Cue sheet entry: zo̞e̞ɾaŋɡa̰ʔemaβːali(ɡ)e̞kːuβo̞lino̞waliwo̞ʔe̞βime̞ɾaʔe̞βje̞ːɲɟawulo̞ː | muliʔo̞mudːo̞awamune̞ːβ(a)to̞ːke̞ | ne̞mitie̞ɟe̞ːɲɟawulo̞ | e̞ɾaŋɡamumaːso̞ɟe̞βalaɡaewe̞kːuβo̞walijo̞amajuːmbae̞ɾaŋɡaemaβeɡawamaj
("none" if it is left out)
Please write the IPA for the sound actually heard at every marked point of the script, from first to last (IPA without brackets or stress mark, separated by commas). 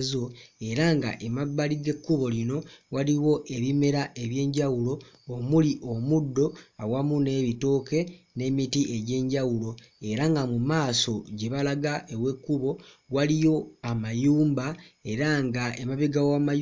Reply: ɡ, i